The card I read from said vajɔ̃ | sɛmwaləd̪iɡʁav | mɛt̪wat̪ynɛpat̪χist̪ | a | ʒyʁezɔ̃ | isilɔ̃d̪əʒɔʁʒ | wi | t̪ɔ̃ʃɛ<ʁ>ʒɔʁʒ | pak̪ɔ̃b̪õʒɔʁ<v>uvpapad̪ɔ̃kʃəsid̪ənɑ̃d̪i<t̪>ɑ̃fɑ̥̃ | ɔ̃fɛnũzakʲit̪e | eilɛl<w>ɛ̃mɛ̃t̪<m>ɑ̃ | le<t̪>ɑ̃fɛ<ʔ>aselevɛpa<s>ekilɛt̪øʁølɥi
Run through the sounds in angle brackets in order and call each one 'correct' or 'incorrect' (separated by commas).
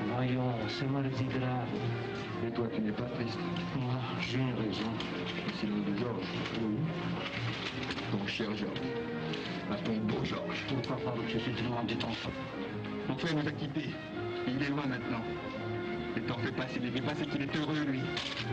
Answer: correct, incorrect, correct, correct, incorrect, correct, incorrect, correct